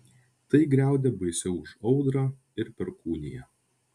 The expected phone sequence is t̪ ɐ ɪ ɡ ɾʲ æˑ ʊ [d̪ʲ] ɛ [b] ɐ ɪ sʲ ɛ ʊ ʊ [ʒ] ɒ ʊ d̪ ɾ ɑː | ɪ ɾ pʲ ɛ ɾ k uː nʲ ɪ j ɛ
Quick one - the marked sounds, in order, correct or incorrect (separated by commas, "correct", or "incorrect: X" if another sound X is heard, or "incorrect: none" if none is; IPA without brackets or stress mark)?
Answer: correct, correct, incorrect: ʃ